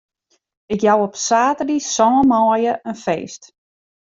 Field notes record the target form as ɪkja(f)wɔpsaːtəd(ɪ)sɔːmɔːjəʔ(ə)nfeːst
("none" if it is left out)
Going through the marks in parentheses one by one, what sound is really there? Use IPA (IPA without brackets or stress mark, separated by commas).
none, i, ə